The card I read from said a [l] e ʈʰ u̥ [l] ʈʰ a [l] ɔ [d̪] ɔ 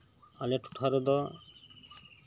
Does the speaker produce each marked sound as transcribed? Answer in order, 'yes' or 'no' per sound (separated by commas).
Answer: yes, no, no, yes